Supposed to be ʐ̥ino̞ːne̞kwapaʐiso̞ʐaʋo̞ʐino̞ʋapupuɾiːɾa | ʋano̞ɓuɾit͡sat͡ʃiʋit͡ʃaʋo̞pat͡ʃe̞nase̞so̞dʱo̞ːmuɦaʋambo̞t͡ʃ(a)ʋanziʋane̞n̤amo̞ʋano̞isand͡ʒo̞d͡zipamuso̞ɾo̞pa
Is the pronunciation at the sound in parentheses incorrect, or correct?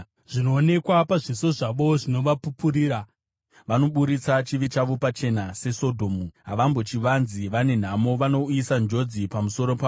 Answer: incorrect